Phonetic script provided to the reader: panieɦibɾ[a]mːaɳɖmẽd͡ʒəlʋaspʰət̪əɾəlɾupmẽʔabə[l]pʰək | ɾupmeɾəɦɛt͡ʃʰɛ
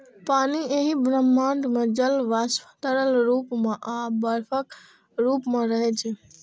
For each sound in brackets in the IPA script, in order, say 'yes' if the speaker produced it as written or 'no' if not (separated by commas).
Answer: no, no